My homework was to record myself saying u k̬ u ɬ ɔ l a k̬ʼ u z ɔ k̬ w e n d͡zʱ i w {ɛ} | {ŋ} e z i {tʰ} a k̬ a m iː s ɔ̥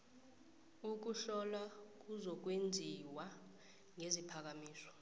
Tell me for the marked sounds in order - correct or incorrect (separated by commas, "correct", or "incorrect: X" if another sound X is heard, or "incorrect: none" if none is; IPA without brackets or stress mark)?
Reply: incorrect: a, correct, incorrect: pʰ